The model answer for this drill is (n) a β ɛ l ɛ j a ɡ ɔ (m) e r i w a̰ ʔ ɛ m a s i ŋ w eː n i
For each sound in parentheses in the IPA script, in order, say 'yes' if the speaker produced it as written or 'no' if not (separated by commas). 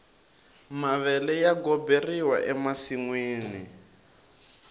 no, no